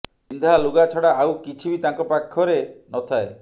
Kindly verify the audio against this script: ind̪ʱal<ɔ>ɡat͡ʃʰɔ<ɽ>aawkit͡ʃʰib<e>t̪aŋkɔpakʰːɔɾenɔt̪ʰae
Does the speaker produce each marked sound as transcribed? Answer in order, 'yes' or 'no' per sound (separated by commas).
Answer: no, yes, no